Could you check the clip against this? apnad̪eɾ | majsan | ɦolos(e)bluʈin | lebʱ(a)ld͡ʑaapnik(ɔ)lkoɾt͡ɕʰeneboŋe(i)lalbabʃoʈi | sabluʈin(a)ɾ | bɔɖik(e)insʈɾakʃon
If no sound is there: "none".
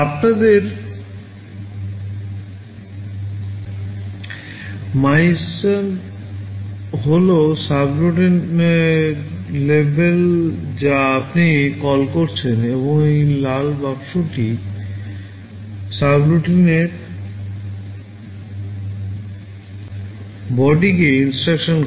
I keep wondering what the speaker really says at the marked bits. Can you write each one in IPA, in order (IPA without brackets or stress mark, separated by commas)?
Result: a, e, ɔ, j, e, e